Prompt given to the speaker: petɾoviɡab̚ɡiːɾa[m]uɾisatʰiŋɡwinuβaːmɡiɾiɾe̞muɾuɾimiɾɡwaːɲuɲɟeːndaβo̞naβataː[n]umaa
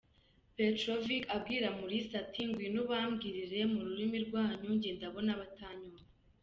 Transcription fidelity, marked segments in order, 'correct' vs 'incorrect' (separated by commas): correct, incorrect